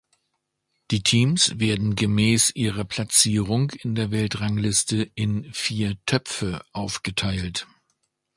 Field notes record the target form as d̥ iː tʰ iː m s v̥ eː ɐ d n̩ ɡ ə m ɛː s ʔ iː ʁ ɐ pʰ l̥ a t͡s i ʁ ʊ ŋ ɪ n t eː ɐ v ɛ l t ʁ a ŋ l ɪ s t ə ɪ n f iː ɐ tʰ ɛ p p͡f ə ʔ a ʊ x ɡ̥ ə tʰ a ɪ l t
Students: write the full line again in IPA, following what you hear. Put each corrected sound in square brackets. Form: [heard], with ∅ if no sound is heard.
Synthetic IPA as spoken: d̥ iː tʰ iː m s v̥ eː ɐ d n̩ ɡ ə m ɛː s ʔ iː ʁ ɐ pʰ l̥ a t͡s [iː] ʁ ʊ ŋ ɪ n [d] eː ɐ v ɛ l t ʁ a ŋ l ɪ s t ə ɪ n f iː ɐ tʰ [œ] p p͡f ə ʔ a ʊ [f] ɡ̥ ə tʰ a ɪ l t